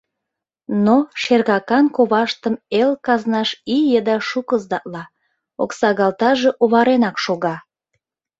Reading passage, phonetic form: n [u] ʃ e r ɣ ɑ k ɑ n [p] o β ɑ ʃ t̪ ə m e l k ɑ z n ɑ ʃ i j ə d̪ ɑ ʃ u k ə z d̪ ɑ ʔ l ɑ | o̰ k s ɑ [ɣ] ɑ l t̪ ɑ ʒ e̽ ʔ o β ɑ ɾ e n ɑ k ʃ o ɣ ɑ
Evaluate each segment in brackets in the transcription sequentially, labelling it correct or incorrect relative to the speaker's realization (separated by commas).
incorrect, incorrect, correct